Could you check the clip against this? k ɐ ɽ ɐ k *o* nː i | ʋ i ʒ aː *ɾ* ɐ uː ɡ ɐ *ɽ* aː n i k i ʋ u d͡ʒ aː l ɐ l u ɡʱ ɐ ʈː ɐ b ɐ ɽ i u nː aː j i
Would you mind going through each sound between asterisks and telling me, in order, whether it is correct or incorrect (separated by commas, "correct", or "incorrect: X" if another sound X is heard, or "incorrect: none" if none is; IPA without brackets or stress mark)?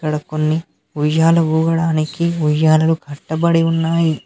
correct, incorrect: l, correct